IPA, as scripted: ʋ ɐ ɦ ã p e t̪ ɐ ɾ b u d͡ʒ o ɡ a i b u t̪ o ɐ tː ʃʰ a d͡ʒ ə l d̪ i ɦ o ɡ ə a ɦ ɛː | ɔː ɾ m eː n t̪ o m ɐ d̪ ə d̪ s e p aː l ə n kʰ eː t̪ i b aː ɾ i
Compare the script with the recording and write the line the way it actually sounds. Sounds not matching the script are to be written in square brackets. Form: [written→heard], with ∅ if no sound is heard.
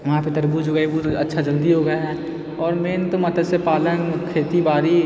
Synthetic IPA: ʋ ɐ ɦ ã p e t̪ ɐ ɾ b u d͡ʒ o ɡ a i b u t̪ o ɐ tː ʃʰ a d͡ʒ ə l d̪ i ɦ o ɡ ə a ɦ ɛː | ɔː ɾ m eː n t̪ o m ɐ [d̪→t̪] ə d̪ s e p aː l ə n kʰ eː t̪ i b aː ɾ i